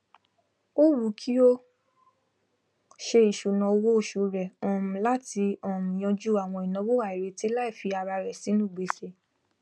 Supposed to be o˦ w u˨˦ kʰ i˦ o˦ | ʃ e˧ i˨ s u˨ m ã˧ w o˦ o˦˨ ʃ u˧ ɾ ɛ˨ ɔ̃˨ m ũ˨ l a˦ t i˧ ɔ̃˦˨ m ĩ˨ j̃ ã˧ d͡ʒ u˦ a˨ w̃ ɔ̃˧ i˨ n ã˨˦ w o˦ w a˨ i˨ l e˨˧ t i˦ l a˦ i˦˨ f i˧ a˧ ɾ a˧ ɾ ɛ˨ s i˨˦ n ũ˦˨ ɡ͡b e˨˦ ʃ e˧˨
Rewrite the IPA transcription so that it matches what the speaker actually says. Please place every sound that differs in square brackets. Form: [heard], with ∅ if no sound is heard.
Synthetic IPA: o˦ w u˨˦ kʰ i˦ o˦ | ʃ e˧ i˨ [ʃ] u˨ [n] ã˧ w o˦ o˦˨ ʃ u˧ ɾ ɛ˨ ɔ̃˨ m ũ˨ l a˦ t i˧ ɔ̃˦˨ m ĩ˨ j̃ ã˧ d͡ʒ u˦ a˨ w̃ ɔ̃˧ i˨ n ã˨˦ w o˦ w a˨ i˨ [ɾ] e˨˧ t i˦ l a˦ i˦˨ f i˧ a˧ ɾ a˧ ɾ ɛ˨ s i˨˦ n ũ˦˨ ɡ͡b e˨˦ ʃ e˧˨